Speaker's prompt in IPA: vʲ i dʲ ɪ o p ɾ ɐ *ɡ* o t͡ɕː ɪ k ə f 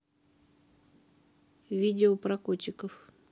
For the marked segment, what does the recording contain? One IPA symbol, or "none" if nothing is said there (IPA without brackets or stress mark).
k